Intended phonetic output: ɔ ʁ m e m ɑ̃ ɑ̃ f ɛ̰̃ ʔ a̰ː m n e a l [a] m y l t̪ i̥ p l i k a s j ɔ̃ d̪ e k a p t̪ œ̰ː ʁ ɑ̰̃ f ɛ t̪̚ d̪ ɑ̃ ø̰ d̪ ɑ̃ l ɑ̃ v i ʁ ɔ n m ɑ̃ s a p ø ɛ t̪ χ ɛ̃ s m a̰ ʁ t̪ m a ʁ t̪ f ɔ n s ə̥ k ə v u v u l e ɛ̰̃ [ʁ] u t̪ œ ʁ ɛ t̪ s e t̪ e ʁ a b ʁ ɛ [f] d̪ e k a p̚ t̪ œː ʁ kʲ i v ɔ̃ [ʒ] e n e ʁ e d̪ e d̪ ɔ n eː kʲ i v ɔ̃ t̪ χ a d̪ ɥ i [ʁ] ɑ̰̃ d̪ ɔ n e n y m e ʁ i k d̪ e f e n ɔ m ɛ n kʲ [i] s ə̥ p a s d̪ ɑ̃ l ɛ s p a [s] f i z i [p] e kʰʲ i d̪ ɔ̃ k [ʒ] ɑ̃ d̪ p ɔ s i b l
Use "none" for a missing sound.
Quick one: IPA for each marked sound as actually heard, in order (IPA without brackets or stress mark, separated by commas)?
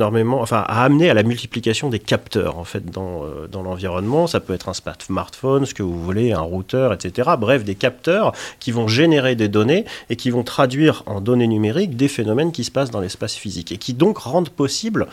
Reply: a, ʁ, f, ʒ, ʁ, i, s, k, ʁ